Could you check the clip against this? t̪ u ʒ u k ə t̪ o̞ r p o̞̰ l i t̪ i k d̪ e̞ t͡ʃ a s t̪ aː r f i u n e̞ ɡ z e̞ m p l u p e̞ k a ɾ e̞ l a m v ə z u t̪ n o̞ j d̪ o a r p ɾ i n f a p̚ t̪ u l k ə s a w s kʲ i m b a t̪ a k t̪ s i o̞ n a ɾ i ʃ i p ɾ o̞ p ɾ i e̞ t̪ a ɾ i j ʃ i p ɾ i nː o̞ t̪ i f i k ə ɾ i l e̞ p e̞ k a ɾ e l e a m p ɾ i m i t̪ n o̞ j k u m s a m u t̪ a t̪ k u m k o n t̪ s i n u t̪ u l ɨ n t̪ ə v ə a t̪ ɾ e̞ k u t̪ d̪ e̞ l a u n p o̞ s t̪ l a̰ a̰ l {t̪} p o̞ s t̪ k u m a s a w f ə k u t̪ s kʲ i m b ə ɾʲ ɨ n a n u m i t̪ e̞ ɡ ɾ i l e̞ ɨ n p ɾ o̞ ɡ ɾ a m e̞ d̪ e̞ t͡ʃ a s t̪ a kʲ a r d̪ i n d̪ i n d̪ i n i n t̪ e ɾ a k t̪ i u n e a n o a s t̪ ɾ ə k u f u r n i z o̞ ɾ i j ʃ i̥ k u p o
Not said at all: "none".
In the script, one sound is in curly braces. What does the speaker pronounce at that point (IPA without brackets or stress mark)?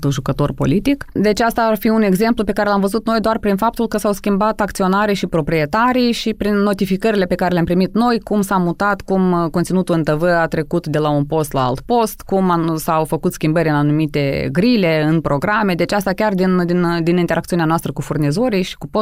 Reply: t̪